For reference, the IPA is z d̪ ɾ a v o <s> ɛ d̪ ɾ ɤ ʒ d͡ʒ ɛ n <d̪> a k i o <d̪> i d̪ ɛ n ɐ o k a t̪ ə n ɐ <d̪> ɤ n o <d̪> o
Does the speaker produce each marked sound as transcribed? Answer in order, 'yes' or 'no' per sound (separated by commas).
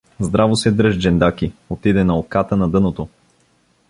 yes, yes, no, yes, no